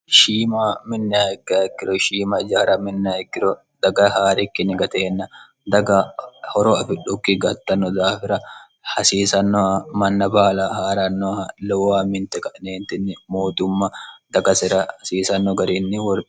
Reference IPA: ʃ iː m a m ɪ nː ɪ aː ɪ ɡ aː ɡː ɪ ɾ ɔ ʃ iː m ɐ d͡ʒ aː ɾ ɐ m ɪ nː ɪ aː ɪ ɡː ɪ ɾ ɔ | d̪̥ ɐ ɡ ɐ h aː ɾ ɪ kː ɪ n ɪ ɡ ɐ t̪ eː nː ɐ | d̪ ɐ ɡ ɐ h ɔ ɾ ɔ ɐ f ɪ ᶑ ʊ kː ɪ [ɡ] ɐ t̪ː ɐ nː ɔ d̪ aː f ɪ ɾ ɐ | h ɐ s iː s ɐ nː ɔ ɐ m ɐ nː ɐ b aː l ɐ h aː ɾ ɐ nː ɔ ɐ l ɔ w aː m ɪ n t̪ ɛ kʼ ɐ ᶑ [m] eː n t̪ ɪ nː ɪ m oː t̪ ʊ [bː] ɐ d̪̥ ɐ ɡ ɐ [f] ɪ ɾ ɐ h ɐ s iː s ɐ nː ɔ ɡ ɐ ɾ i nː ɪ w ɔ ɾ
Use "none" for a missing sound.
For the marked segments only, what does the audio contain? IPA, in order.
ɡ, n, mː, s

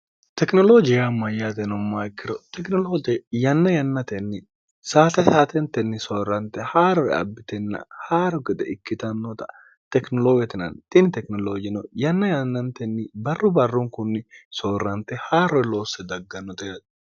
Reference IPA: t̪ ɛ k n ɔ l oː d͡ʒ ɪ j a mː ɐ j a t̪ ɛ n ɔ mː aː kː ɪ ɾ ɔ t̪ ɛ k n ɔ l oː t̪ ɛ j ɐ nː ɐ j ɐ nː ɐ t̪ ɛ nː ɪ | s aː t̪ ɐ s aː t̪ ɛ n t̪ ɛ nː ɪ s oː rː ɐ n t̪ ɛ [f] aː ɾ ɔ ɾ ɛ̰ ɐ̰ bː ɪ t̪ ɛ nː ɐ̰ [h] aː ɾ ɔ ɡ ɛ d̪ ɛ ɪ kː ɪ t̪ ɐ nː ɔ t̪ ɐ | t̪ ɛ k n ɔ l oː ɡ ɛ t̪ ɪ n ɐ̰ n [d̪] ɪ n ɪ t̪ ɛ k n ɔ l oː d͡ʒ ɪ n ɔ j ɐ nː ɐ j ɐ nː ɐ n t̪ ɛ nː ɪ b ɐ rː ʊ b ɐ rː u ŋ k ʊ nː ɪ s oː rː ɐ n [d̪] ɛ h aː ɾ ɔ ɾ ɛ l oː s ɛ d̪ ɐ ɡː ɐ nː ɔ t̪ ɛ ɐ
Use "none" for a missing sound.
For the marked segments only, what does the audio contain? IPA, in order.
h, h, t̪, t̪

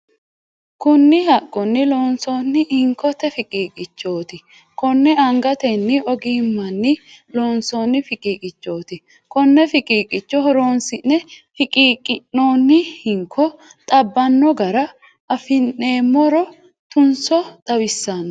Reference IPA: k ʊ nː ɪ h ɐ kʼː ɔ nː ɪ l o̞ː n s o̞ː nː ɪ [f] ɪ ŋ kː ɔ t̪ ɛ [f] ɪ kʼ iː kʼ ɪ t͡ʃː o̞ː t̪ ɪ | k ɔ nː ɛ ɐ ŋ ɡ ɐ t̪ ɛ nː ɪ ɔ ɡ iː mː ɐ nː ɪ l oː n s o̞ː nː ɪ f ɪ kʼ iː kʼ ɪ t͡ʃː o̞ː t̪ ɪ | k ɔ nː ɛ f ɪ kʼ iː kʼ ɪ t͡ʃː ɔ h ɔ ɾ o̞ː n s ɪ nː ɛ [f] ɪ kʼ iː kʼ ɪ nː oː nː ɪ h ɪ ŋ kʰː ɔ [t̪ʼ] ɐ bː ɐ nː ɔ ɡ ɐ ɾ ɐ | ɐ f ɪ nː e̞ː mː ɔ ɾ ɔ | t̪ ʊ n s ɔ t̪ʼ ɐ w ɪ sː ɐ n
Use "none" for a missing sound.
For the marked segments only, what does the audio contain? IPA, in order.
h, f, f, t̪ʼ

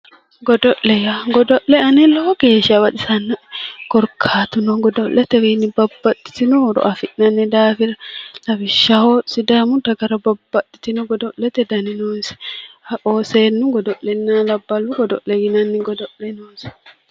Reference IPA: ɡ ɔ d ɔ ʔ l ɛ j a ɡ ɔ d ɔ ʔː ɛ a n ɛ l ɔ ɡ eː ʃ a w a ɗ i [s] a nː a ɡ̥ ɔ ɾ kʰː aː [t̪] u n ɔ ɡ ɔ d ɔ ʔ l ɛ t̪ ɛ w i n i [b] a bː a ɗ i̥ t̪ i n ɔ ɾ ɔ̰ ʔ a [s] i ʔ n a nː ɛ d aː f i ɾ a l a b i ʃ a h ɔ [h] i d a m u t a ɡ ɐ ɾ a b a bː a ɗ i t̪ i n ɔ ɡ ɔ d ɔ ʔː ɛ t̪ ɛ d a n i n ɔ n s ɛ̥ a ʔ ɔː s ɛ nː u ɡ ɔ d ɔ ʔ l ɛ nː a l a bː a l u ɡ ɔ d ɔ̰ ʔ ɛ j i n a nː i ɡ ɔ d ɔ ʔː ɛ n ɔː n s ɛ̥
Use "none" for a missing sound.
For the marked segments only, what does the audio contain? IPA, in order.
s, t̪, b, f, s

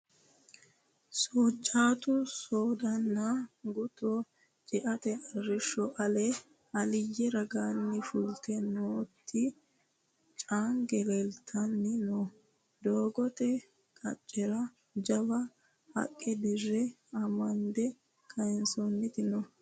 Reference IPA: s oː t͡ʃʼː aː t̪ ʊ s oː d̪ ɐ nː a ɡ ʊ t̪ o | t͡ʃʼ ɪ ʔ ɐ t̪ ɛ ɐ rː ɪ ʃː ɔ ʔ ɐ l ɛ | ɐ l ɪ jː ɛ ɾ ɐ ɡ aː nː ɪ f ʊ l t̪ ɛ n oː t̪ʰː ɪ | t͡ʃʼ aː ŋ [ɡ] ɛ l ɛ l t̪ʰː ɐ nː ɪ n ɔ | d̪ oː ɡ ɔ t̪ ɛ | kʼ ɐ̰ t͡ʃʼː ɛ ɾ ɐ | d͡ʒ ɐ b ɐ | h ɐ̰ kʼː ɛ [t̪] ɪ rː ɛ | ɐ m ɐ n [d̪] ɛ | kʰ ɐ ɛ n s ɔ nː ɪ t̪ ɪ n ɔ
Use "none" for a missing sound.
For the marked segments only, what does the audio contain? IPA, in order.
ɡ, d̪, d̪

